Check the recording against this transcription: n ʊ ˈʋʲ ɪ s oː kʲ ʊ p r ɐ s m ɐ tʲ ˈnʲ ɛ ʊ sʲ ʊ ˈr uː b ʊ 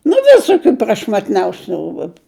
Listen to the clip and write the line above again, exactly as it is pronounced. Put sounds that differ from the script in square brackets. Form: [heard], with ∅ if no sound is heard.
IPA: n ʊ ˈʋʲ ɪ s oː kʲ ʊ p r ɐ [ʃ] m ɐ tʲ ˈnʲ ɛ ʊ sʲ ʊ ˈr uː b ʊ